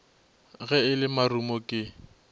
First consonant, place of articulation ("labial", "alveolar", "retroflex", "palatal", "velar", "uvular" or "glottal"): velar